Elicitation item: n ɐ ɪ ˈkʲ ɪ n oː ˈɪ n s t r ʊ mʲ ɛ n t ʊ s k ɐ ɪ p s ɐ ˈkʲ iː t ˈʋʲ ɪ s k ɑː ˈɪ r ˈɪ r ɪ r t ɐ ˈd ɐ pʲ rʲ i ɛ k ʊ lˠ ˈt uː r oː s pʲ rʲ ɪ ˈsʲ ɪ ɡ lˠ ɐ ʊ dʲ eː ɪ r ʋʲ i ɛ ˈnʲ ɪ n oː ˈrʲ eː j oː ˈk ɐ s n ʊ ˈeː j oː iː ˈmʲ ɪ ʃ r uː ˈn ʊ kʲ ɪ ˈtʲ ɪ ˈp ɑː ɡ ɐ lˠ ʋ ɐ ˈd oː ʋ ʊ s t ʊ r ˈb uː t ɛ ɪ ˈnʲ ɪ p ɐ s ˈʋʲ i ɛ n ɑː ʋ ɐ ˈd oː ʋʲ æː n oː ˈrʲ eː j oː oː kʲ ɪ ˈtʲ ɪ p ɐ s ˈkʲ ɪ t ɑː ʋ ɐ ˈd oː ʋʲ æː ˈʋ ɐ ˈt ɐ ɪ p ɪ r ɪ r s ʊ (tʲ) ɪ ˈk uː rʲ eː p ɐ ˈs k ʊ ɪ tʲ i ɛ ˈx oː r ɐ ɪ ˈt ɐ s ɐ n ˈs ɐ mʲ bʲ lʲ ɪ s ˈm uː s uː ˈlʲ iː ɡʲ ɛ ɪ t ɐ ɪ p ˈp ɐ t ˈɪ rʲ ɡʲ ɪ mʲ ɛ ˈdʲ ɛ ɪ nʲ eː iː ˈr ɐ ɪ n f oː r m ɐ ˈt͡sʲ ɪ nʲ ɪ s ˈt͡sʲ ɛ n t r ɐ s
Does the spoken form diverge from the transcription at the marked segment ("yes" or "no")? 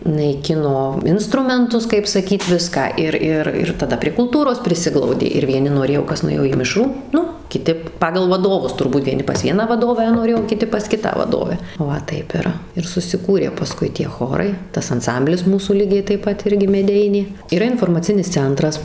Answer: yes